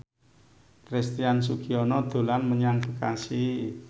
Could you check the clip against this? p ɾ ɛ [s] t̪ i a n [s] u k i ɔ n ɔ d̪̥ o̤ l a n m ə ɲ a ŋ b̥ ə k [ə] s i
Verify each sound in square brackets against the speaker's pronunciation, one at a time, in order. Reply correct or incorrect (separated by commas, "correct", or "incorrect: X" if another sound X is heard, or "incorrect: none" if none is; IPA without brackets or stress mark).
correct, correct, incorrect: a